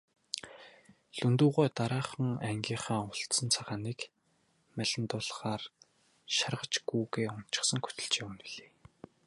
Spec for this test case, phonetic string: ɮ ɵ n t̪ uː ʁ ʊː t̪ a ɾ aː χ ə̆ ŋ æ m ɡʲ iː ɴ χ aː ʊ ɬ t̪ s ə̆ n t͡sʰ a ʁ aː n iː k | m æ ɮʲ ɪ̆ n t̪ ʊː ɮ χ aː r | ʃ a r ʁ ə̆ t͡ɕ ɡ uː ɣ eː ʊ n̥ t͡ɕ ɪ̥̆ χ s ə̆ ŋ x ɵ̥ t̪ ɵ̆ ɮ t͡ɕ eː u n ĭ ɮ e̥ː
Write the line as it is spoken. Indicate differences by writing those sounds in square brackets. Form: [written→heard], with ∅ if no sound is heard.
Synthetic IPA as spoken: ɮ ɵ n t̪ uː ʁ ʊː t̪ a ɾ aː χ ə̆ ŋ æ [m→ŋ] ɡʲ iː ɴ χ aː ʊ ɬ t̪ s ə̆ n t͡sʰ a ʁ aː n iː k | m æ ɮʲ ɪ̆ n t̪ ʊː ɮ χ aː r | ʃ a r ʁ ə̆ t͡ɕ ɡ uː ɣ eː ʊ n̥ t͡ɕ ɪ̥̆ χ s ə̆ ŋ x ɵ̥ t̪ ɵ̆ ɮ t͡ɕ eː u n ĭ ɮ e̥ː